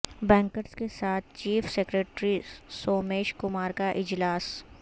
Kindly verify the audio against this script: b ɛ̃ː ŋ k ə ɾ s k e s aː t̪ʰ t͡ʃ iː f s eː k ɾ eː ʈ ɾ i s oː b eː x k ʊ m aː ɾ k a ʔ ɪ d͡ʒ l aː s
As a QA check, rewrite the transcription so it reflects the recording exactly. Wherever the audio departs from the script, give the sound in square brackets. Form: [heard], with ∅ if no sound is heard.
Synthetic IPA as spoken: b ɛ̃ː ŋ k ə ɾ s k e s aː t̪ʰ t͡ʃ iː f s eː k ɾ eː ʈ ɾ i s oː [m] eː [ʃ] k ʊ m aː ɾ k a ʔ ɪ d͡ʒ l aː s